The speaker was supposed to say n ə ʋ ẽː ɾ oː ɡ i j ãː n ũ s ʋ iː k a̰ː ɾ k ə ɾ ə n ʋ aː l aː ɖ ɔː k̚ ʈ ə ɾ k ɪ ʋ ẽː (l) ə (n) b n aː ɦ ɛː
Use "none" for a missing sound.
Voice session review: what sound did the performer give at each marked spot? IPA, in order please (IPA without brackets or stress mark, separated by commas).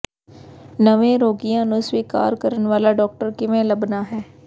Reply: l, none